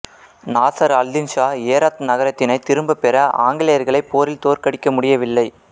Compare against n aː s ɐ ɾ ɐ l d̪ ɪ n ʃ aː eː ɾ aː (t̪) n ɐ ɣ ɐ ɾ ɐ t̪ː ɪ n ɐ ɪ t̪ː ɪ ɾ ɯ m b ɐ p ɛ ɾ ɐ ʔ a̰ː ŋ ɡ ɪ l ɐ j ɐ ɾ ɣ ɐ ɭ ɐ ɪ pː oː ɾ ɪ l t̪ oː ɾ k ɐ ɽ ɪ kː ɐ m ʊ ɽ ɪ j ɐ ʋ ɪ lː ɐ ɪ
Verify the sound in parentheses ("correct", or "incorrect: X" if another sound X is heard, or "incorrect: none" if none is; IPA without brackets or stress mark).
correct